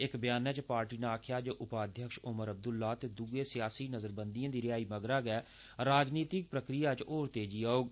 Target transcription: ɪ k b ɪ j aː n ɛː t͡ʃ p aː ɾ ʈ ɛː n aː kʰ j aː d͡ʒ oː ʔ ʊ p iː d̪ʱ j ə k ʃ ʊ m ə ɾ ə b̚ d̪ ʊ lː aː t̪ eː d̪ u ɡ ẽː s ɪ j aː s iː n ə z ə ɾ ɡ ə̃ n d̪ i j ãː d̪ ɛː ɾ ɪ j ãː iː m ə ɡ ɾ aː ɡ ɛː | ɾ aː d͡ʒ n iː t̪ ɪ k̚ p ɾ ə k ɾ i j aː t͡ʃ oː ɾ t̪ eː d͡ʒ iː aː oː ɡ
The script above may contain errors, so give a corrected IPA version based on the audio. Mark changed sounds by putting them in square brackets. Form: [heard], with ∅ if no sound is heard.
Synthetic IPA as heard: ɪ k b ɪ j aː n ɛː t͡ʃ p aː ɾ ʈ [iː] n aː kʰ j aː d͡ʒ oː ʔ ʊ p [aː] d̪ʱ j ə k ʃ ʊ m ə ɾ ə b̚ d̪ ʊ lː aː t̪ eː d̪ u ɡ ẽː s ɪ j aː s iː n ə z ə ɾ [b] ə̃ n d̪ i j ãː d̪ [iː] ɾ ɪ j [aː] iː m ə ɡ ɾ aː ɡ ɛː | ɾ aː d͡ʒ n iː t̪ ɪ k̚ p ɾ ə k ɾ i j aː t͡ʃ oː ɾ t̪ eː d͡ʒ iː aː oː ɡ

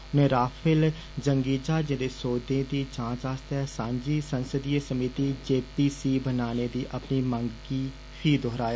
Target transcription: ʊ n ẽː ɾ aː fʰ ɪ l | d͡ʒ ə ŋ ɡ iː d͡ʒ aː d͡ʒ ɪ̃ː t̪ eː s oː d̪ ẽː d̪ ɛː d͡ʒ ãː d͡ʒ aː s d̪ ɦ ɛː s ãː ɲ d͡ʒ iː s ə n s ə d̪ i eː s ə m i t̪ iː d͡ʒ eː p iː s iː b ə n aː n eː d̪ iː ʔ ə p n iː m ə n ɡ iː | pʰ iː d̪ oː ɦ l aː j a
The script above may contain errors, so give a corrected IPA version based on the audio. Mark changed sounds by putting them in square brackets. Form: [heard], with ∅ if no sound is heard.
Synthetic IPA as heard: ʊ n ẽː ɾ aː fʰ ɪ l | d͡ʒ ə ŋ ɡ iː d͡ʒ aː d͡ʒ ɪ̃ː [d̪] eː s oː d̪ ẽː d̪ [iː] d͡ʒ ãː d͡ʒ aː s [t̪] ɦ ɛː s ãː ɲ d͡ʒ iː s ə n s ə d̪ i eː s ə m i t̪ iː d͡ʒ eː p iː s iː b ə n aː n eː d̪ iː ʔ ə p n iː m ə [ŋ] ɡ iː | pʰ iː d̪ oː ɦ [ɾ] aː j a

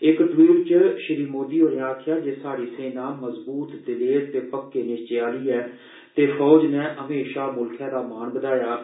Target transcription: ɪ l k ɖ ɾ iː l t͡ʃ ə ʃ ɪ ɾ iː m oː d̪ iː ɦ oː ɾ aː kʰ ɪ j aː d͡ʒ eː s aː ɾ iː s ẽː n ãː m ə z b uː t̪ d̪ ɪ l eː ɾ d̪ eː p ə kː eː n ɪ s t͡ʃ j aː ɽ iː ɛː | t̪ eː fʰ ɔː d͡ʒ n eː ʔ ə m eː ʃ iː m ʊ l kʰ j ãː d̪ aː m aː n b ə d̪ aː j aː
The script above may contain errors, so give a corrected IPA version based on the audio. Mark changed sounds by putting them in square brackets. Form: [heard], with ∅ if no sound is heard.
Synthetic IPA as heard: ɪ [∅] k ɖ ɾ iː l t͡ʃ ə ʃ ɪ ɾ iː m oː d̪ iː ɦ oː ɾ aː kʰ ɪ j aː d͡ʒ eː s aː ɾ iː s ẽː n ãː m ə z b uː t̪ d̪ ɪ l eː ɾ [t̪] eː p ə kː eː n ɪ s t͡ʃ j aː [l] iː ɛː | t̪ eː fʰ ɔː d͡ʒ n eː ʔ ə m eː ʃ [aː] m ʊ l kʰ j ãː d̪ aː m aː n b ə d̪ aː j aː

